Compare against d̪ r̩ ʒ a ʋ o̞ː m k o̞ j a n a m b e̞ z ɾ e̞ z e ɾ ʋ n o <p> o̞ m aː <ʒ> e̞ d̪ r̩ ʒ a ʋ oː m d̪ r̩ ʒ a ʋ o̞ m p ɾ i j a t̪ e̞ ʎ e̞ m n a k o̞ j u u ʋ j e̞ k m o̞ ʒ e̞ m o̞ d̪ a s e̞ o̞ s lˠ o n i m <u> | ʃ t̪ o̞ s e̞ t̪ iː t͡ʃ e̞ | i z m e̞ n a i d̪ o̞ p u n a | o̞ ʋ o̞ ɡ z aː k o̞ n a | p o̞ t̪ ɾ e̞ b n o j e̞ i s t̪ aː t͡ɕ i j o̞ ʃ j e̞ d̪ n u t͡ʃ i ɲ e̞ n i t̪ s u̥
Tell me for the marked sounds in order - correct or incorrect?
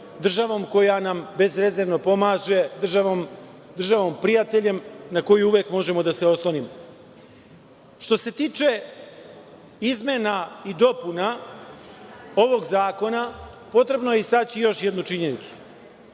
correct, correct, incorrect: o

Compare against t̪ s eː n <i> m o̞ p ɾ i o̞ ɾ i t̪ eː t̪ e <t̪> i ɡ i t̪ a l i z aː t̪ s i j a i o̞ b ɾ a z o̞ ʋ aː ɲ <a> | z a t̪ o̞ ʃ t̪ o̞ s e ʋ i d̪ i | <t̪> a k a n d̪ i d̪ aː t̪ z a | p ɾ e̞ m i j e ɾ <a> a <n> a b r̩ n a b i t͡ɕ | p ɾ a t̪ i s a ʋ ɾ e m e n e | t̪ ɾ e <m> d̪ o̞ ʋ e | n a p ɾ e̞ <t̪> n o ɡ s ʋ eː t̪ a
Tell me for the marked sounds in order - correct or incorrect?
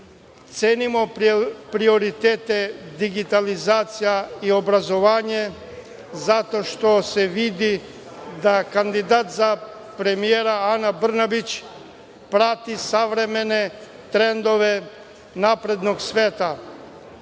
correct, incorrect: d̪, incorrect: e, incorrect: d̪, correct, correct, incorrect: n, incorrect: d̪

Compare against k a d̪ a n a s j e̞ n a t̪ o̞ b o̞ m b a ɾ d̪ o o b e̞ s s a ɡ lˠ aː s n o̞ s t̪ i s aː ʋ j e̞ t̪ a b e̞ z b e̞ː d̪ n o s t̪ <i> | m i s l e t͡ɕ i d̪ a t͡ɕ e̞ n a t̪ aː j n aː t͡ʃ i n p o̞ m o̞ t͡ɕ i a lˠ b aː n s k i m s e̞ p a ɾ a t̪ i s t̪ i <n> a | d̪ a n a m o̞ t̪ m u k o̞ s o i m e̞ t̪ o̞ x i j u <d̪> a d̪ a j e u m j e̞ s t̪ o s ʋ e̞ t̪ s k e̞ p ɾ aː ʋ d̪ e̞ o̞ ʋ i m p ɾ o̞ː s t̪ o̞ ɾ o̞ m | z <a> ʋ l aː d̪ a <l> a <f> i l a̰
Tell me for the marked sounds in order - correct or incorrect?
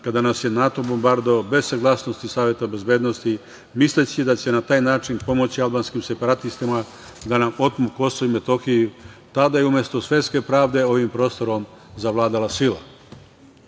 correct, incorrect: m, incorrect: t̪, correct, correct, incorrect: s

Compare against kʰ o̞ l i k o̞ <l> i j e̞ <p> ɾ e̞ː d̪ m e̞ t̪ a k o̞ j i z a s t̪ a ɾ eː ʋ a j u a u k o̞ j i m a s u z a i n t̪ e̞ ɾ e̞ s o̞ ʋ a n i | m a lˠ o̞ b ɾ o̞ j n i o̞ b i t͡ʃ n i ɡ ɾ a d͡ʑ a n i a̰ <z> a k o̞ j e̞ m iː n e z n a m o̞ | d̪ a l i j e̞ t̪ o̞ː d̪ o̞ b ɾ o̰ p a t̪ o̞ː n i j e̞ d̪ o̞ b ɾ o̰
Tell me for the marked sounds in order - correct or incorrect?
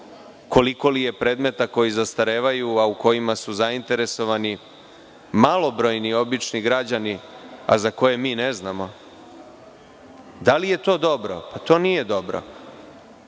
correct, correct, correct

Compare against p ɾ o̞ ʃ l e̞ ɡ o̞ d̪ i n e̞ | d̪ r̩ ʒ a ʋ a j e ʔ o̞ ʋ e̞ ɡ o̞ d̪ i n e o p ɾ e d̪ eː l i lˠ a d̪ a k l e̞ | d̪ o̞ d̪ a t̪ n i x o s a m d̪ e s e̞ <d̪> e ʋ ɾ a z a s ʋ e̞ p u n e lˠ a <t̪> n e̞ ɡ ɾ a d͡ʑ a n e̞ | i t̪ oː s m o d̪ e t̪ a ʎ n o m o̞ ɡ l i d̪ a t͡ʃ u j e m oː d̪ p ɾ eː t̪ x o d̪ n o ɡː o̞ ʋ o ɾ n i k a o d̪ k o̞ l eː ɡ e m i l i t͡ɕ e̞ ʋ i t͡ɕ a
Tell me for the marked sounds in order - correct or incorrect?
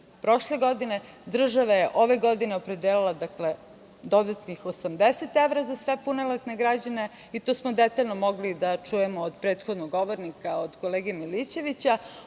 incorrect: t̪, correct

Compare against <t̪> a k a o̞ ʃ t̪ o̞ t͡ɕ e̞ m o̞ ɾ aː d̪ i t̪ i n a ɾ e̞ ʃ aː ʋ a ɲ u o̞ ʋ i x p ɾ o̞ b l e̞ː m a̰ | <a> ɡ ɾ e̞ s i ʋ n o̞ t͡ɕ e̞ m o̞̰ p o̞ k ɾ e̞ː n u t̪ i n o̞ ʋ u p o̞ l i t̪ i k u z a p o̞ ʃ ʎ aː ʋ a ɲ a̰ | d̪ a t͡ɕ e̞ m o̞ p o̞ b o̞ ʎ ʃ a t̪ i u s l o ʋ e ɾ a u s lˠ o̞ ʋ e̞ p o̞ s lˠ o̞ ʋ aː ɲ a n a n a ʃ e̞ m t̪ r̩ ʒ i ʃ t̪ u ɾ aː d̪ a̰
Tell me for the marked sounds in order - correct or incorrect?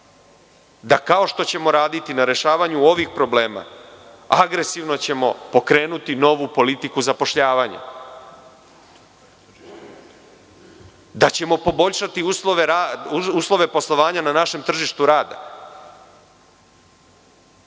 incorrect: d̪, correct

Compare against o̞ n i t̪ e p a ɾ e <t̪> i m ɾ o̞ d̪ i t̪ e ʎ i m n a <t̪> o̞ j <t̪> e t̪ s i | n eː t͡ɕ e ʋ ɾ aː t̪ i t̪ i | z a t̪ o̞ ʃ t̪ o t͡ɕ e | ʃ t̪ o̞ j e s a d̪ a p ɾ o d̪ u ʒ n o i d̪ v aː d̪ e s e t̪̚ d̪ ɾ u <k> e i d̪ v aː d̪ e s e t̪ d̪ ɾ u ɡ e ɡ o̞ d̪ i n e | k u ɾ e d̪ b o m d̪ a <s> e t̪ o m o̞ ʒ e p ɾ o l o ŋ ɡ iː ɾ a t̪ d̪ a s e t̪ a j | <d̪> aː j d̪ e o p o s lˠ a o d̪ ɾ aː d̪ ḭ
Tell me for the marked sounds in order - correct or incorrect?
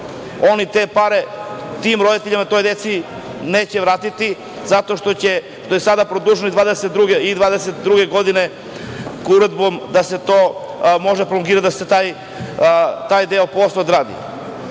correct, correct, incorrect: d̪, incorrect: ɡ, correct, incorrect: t̪

